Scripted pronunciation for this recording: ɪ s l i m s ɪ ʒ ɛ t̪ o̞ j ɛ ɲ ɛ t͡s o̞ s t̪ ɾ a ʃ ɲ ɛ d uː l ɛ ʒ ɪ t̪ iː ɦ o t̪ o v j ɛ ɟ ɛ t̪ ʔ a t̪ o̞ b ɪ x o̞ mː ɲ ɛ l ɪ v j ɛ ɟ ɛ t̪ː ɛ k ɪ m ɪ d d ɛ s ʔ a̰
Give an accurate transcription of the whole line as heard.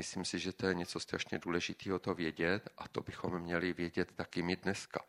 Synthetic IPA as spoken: ɪ s l i m s ɪ ʒ ɛ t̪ o̞ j ɛ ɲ ɛ t͡s o̞ s t̪ ɾ a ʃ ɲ ɛ d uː l ɛ ʒ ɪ t̪ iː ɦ o t̪ o v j ɛ ɟ ɛ t̪ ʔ a t̪ o̞ b ɪ x o̞ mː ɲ ɛ l ɪ v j ɛ ɟ ɛ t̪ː a k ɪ m ɪ d n ɛ s k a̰